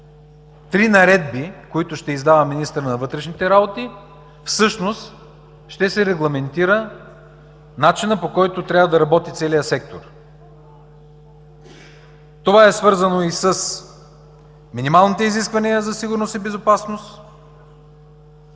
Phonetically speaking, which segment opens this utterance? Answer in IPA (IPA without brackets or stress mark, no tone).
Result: t̪